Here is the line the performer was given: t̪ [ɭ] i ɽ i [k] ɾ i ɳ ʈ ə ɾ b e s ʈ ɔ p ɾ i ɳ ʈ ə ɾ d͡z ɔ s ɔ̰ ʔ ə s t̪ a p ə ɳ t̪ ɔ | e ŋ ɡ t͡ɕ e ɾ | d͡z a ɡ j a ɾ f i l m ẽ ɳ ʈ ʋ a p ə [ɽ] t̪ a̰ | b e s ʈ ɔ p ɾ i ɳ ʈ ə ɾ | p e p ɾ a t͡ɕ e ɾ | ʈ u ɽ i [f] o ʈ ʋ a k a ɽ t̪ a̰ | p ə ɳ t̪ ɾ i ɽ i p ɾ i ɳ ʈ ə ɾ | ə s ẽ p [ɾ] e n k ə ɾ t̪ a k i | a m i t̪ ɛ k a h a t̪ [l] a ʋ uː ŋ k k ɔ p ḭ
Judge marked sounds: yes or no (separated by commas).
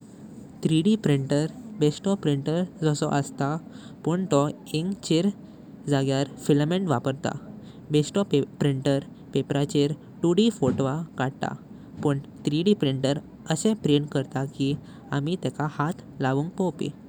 no, no, no, yes, yes, yes